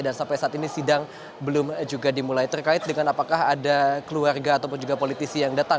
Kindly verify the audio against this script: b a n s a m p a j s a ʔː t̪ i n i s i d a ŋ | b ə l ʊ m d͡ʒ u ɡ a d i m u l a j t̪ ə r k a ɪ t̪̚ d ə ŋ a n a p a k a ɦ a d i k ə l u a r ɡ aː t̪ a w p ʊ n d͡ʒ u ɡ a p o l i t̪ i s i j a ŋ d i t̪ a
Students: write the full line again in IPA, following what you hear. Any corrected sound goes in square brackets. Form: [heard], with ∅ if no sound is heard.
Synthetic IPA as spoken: [d] a n s a m p a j s a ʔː t̪ i n i s i d a ŋ | b ə l ʊ m d͡ʒ u ɡ a d i m u l a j t̪ ə r k a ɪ t̪̚ d ə ŋ a n a p a k a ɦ a d [a] k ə l u a r ɡ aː t̪ a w p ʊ n d͡ʒ u ɡ a p o l i t̪ i s i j a ŋ d [a] t̪ a